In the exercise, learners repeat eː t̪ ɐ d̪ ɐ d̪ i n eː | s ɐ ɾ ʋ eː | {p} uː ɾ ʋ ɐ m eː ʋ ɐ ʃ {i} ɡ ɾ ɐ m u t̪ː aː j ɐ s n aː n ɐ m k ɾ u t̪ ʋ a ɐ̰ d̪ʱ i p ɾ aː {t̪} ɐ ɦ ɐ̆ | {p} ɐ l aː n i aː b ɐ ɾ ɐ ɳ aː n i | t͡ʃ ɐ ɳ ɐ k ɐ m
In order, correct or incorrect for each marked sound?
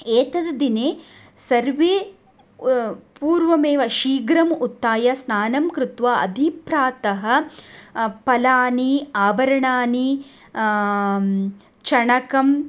correct, incorrect: iː, correct, correct

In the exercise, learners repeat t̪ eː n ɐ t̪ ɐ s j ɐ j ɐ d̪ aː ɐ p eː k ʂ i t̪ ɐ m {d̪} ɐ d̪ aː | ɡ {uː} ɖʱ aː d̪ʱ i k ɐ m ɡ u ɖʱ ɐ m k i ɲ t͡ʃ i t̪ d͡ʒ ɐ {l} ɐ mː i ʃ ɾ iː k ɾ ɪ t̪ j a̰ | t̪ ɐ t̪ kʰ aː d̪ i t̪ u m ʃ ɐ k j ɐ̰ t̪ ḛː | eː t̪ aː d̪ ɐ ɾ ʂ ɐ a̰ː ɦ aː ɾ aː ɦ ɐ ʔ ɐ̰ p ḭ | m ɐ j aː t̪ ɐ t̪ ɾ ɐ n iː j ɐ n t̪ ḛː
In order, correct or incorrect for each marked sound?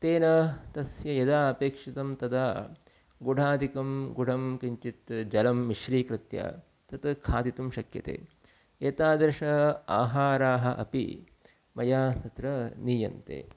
incorrect: t̪, incorrect: u, correct

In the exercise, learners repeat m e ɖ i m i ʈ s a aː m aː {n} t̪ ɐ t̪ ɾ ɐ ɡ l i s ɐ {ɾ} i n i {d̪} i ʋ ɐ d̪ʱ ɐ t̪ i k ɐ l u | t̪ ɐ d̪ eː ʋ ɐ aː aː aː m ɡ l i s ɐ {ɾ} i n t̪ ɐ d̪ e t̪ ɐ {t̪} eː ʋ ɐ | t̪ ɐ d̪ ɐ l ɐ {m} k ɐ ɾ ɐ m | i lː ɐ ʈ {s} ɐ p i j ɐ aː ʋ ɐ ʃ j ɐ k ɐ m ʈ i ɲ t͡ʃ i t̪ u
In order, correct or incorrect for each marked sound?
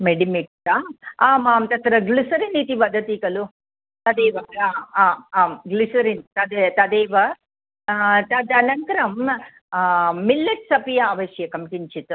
incorrect: m, correct, incorrect: t̪, correct, incorrect: d̪, incorrect: ŋ, correct

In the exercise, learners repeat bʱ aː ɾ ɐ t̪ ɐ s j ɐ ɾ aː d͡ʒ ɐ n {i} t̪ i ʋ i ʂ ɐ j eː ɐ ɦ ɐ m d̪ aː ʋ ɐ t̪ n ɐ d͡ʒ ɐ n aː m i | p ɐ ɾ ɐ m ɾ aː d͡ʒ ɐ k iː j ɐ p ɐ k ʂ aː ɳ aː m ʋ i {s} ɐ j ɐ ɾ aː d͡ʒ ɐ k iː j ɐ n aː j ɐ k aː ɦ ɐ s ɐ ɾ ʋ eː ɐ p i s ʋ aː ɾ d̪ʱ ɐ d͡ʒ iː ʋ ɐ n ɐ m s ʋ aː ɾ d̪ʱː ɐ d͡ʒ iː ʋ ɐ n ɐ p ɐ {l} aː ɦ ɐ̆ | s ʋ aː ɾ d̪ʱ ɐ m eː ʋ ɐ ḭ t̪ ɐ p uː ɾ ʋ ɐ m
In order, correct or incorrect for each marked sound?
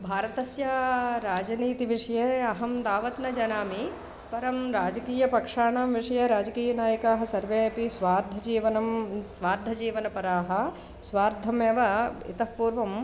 incorrect: iː, incorrect: ʂ, incorrect: ɾ

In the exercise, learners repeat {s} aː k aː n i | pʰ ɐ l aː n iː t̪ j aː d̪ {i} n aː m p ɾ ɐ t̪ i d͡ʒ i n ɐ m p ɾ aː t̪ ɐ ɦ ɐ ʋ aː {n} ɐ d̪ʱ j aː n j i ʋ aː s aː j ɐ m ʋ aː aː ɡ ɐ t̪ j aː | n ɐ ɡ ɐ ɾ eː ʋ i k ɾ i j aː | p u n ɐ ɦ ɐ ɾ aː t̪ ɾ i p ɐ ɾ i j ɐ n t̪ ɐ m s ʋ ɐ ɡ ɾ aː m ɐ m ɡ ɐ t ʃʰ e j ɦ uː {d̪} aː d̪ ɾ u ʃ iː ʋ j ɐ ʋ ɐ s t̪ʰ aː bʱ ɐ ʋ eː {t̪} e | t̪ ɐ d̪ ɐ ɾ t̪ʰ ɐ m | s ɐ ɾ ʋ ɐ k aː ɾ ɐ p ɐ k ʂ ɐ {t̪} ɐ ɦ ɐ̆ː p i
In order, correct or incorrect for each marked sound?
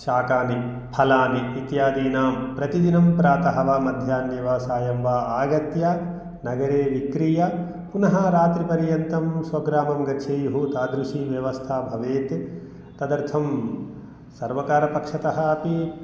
incorrect: ʃ, incorrect: iː, incorrect: m, incorrect: t̪, correct, correct

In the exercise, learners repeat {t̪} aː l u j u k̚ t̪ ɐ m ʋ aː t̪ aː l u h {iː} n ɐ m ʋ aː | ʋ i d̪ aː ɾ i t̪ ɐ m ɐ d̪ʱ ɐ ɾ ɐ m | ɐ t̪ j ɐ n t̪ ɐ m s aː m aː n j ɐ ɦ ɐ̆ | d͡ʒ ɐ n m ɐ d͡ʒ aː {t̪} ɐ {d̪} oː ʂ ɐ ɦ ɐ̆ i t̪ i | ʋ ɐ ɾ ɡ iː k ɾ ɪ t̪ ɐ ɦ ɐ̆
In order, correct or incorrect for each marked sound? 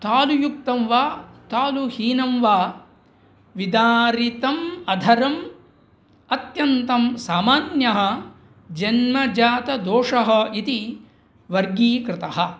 correct, correct, correct, correct

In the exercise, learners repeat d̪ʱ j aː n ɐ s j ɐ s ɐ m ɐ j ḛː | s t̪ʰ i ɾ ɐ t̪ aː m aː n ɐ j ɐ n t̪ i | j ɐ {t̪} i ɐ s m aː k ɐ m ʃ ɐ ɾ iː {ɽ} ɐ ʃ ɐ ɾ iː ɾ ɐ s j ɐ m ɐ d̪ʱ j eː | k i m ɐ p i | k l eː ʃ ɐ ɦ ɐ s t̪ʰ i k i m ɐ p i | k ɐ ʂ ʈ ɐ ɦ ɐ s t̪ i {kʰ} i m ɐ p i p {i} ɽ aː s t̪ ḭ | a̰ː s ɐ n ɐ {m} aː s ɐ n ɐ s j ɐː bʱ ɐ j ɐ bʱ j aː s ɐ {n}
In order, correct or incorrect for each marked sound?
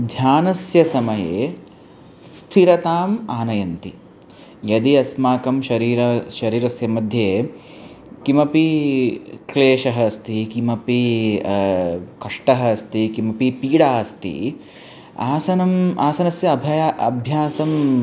incorrect: d̪, incorrect: ɾ, incorrect: k, incorrect: iː, correct, incorrect: m

